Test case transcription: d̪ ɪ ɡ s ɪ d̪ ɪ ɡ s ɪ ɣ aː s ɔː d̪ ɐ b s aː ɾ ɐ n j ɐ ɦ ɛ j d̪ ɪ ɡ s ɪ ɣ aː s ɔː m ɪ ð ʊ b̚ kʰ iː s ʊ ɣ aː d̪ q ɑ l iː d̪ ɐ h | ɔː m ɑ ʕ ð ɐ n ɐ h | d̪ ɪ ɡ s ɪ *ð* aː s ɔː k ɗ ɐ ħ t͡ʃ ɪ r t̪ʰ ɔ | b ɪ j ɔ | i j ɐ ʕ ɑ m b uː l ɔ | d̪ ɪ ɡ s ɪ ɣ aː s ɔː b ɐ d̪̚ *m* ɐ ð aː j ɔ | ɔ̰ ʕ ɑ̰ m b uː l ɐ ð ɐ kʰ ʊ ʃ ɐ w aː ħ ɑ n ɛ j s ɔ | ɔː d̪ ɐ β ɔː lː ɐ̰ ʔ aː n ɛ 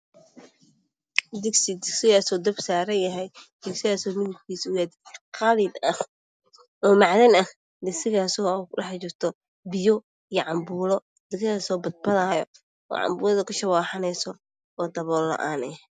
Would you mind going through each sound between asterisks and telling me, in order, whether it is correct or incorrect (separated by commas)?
incorrect, incorrect